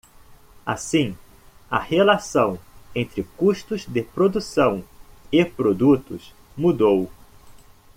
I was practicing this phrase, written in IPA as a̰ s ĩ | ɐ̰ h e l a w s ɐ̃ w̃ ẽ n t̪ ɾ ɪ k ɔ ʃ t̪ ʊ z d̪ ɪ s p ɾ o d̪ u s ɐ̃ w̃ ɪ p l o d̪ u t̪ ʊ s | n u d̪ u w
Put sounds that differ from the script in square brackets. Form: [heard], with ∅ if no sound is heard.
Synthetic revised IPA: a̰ s ĩ | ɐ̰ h e l a [∅] s ɐ̃ w̃ ẽ n t̪ ɾ ɪ k [u] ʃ t̪ ʊ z d̪ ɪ [∅] p ɾ o d̪ u s ɐ̃ w̃ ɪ p [ɾ] o d̪ u t̪ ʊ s | [m] u d̪ [o] w